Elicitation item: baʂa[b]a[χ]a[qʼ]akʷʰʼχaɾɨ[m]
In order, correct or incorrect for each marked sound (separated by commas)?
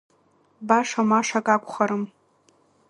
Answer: incorrect, incorrect, incorrect, correct